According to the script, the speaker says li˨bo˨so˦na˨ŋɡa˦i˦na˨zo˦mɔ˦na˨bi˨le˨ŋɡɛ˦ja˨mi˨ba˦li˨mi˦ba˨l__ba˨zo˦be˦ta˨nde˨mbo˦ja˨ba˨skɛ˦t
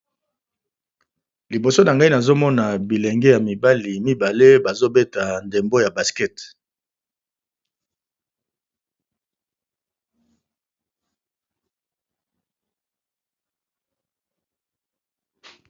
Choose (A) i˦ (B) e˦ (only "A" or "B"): B